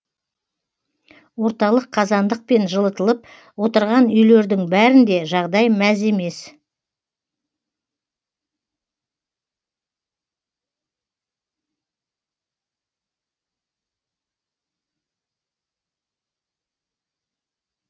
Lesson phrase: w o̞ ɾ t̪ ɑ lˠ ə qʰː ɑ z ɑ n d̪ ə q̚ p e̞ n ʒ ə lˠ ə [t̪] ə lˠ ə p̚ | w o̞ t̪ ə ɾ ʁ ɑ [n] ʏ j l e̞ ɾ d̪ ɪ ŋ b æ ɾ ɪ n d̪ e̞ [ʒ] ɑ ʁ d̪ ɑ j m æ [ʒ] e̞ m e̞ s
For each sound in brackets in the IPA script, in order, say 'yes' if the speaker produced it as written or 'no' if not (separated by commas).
yes, yes, yes, no